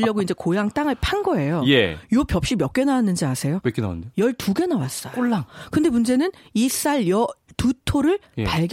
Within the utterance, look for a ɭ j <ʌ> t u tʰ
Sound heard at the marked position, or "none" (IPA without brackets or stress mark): ʌ